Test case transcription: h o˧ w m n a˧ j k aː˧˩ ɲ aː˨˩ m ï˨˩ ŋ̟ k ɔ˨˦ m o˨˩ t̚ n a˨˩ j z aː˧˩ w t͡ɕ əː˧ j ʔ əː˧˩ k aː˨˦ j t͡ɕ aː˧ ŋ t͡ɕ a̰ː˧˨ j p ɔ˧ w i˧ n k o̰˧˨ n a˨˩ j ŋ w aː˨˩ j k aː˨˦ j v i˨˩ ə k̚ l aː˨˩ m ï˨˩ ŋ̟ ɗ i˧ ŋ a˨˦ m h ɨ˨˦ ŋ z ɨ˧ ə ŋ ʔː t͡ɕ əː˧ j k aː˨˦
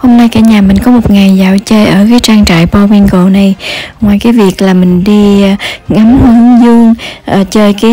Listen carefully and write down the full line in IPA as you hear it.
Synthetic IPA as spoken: h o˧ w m n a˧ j k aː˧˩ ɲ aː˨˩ m ï˨˩ ŋ̟ k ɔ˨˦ m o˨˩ t̚ ŋ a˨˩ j z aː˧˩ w t͡ɕ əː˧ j ʔ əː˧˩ k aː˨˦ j t͡ɕ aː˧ ŋ t͡ɕ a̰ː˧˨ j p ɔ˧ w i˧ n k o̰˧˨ n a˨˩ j ŋ w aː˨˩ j k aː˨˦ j v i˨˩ ə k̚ l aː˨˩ m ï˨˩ ŋ̟ ɗ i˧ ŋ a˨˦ m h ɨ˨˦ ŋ z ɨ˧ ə ŋ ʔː t͡ɕ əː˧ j k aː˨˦

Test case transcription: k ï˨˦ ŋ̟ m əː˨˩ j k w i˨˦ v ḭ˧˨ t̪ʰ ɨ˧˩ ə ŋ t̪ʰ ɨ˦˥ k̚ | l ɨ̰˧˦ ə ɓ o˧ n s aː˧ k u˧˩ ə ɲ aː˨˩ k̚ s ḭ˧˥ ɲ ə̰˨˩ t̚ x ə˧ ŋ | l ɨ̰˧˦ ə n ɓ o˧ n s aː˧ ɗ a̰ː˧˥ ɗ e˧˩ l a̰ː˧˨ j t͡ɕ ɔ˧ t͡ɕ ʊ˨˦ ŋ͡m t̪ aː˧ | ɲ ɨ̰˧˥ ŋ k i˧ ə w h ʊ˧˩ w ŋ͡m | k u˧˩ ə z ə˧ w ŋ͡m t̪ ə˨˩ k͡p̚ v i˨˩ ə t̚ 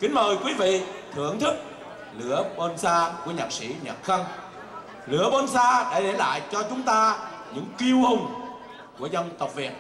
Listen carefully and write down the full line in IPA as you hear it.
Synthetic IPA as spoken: k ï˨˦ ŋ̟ m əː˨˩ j k w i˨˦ v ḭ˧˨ t̪ʰ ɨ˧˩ ə ŋ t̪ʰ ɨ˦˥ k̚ | l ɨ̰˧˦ ə ɓ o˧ n s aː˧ k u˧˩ ə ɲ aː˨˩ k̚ s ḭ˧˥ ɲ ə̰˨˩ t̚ x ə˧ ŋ | l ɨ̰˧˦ ə ɓ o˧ n s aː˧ ɗ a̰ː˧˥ ɗ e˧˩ l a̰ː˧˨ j t͡ɕ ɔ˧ t͡ɕ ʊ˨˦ ŋ͡m t̪ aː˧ | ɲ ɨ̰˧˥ ŋ k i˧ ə w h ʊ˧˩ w ŋ͡m | k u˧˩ ə z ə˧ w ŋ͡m t̪ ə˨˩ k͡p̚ v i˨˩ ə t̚

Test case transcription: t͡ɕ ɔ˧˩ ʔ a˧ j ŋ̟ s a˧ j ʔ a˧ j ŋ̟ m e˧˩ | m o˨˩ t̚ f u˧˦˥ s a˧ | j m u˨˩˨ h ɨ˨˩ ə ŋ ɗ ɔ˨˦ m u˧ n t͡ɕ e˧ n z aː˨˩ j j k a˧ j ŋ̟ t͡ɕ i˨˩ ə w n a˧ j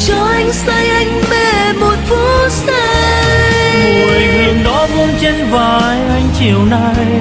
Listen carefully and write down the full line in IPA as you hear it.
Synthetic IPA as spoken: t͡ɕ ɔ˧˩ ʔ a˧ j ŋ̟ s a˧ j ʔ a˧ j ŋ̟ m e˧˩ | m o˨˩ t̚ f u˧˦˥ s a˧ | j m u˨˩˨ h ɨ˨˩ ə ŋ ɗ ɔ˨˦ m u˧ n t͡ɕ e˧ n v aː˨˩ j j ʔ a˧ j ŋ̟ t͡ɕ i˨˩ ə w n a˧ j

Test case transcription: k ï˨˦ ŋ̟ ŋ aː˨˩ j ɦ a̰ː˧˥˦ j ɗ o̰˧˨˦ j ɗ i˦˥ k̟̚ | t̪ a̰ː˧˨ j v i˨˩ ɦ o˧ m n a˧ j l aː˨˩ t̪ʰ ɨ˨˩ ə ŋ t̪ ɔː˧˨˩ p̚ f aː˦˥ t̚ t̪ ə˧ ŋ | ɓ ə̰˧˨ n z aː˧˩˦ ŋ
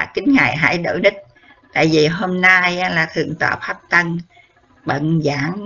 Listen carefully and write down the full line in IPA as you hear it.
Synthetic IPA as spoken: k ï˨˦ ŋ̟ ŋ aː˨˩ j ɦ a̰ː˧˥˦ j ɗ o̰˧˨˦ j ɗ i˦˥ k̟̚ | t̪ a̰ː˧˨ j v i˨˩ ɦ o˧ m n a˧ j l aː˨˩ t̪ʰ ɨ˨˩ ə ŋ t̪ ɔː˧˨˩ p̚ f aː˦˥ p̚ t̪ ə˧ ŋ | ɓ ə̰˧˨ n z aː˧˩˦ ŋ

